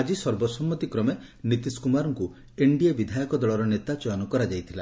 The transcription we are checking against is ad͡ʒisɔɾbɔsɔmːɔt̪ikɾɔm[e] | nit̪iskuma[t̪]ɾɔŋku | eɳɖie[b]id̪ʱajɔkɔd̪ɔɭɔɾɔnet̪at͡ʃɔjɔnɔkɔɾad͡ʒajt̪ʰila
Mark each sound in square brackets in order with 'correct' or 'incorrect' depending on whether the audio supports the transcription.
correct, incorrect: none, correct

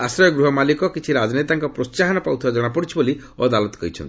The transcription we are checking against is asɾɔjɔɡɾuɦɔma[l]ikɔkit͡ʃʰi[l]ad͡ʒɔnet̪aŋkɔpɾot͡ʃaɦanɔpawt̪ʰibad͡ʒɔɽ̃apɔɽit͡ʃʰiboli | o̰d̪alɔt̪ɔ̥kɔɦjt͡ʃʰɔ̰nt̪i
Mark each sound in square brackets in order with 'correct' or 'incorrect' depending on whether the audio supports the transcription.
correct, incorrect: ɾ

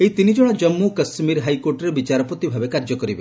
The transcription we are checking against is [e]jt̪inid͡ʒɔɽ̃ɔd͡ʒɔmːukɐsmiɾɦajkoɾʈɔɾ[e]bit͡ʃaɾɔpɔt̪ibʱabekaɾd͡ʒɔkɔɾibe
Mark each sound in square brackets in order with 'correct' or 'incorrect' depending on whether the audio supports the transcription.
correct, correct

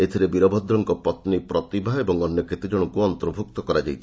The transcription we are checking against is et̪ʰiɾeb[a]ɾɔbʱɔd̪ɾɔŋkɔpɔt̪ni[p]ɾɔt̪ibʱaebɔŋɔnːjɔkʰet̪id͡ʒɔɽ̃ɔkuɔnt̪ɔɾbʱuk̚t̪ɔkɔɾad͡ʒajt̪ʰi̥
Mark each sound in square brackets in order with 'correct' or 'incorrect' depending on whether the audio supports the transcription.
incorrect: i, correct

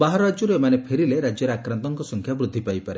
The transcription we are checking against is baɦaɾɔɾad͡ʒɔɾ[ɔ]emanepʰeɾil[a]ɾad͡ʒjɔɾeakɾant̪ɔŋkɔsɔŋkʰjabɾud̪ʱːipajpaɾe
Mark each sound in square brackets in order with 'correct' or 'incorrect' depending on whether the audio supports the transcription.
incorrect: u, incorrect: e

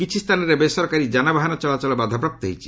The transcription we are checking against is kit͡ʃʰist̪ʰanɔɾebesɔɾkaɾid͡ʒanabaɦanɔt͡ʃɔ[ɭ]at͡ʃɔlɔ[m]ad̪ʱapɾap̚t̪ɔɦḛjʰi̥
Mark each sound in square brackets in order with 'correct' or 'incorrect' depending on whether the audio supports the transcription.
incorrect: l, incorrect: b

